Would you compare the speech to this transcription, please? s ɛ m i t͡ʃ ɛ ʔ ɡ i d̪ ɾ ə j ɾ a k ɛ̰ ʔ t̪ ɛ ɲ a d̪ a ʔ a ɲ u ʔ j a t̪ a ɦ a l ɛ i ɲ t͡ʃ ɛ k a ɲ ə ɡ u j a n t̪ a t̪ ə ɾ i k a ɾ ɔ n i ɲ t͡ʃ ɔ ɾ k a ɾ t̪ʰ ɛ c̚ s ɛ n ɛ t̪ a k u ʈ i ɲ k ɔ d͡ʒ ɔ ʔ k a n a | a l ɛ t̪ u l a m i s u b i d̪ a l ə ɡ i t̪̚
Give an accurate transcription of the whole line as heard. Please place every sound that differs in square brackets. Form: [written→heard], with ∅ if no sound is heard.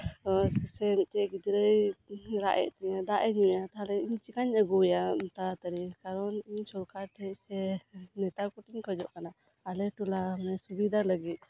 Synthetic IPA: s ɛ m i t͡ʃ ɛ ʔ ɡ i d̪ ɾ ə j ɾ a [k→ʔ] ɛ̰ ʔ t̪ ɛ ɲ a d̪ a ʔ [a→ɛ] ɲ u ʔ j a t̪ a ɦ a l ɛ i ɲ t͡ʃ [ɛ→i] k a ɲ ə ɡ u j a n t̪ a t̪ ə ɾ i k a ɾ ɔ n i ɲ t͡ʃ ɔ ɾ k a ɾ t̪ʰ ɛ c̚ s ɛ n ɛ t̪ a k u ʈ i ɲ k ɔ d͡ʒ ɔ ʔ k a n a | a l ɛ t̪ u l a m [i→ɛ] s u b i d̪ a l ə ɡ i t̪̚